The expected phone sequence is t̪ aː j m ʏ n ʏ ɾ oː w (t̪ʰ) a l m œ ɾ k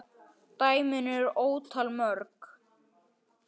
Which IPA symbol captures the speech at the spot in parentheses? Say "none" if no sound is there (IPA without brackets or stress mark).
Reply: t̪ʰ